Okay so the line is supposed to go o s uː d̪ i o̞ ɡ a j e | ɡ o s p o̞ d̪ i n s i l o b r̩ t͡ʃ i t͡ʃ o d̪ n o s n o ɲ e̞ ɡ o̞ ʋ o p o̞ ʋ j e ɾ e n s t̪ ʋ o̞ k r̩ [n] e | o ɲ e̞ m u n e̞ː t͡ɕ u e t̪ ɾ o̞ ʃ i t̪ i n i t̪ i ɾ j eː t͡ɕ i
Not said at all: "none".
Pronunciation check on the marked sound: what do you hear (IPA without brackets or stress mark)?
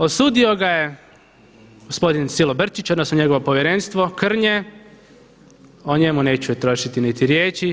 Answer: ɲ